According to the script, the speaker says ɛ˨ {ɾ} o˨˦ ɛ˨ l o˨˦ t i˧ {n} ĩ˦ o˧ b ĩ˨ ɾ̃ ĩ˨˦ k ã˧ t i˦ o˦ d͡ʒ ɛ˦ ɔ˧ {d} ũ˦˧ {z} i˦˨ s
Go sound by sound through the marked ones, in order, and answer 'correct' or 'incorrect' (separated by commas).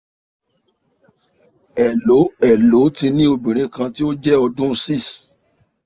incorrect, correct, correct, incorrect